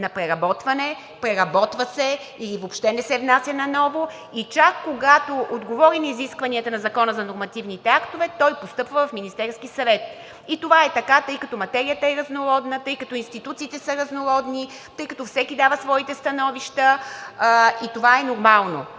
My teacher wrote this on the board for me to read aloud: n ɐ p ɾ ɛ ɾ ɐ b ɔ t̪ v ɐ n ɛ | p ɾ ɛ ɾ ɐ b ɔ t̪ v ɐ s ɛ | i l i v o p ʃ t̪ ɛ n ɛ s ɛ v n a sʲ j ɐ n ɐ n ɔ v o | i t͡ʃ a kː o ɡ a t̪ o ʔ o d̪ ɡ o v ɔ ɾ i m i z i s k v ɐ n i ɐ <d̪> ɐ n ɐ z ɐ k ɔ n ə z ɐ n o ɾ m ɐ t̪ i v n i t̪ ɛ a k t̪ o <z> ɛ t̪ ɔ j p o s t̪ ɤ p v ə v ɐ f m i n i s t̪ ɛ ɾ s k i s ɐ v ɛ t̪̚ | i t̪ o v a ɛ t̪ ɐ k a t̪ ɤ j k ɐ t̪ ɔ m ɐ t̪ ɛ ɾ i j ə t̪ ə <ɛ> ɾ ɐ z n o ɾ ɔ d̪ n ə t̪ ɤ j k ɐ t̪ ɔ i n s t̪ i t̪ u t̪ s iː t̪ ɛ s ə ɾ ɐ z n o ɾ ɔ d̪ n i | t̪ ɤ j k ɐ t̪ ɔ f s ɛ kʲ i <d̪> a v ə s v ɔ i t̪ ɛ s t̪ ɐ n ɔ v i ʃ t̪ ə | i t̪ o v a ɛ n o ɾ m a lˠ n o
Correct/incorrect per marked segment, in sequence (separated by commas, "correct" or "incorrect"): incorrect, incorrect, correct, correct